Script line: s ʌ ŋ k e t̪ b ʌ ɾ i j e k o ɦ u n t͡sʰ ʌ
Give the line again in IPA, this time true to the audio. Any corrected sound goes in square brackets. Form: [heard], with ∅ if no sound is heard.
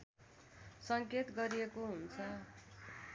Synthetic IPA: s ʌ ŋ k e t̪ [ɡ] ʌ ɾ i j e k o ɦ u n t͡sʰ ʌ